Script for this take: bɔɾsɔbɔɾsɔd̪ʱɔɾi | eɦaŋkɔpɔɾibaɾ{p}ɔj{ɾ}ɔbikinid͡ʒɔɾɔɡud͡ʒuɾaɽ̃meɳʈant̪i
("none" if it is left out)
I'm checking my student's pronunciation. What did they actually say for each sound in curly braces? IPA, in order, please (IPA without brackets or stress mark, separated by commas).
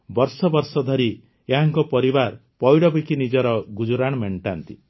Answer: p, ɽ